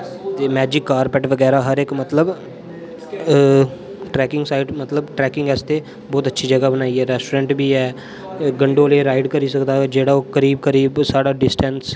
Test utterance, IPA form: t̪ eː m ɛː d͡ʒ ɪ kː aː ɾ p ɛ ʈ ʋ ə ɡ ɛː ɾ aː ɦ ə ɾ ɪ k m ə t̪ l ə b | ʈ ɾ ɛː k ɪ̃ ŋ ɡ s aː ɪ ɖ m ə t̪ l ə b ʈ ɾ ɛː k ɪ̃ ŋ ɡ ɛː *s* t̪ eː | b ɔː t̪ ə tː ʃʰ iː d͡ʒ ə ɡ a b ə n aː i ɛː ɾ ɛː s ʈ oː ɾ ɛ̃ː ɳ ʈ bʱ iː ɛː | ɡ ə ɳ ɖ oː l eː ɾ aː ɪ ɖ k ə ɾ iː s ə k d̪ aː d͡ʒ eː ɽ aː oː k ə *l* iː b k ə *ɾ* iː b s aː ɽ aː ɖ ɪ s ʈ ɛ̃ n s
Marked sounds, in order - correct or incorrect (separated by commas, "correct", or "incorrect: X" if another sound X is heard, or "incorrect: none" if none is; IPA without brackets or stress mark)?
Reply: correct, incorrect: ɾ, correct